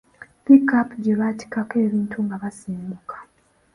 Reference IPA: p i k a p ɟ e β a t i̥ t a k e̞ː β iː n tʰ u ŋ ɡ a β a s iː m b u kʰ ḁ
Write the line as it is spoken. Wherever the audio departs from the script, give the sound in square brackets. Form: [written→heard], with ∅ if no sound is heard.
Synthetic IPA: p i k a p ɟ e β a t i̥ [t→k] a k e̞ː β iː n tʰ u ŋ ɡ a β a s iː m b u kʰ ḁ